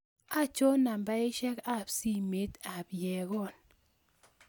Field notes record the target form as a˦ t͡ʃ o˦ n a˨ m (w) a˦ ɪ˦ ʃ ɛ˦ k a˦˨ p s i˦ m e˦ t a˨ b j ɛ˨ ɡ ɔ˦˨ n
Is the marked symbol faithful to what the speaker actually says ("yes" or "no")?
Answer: no